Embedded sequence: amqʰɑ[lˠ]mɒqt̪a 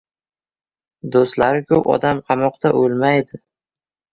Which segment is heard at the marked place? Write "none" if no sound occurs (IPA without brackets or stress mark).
none